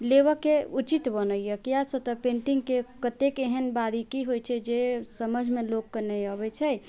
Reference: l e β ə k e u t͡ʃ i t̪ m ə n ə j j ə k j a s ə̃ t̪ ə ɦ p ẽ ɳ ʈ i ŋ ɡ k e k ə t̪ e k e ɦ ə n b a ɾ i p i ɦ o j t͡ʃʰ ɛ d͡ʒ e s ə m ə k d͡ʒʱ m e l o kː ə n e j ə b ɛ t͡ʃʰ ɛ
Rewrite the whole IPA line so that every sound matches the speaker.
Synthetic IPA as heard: l e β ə k e u t͡ʃ i t̪ b ə n ə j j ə k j a s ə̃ t̪ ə p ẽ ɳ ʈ i ŋ ɡ k e k ə t̪ e k e ɦ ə n b a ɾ i k i ɦ o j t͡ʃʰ ɛ d͡ʒ e s ə m ə d͡ʒʱ m e l o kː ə n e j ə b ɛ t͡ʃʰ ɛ